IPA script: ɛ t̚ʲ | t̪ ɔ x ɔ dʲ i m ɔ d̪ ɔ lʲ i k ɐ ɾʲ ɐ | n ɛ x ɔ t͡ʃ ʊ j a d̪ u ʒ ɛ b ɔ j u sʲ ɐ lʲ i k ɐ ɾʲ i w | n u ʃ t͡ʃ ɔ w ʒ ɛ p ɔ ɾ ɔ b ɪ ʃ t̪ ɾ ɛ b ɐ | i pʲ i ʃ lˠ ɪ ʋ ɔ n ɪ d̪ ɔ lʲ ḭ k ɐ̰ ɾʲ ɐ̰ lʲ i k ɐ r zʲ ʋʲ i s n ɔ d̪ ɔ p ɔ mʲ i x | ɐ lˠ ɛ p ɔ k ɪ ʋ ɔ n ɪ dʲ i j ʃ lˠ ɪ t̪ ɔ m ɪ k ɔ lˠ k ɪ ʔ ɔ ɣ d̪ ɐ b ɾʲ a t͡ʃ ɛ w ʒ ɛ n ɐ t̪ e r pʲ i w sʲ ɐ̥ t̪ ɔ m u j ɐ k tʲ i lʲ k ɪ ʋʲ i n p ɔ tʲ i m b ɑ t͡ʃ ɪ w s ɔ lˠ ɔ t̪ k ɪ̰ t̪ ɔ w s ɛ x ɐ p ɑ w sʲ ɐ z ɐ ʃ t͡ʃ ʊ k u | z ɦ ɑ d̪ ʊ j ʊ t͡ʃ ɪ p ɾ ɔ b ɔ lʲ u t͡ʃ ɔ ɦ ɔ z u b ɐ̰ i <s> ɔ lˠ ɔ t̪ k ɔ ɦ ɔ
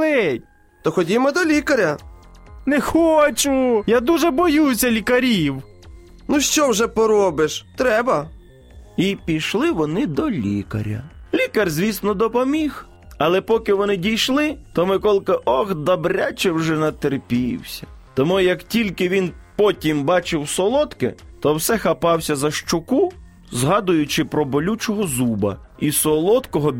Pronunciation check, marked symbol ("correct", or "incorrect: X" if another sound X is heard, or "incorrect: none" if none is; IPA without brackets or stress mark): correct